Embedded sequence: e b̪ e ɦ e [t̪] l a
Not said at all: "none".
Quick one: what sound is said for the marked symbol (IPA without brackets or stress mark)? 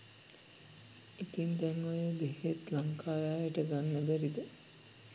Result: t̪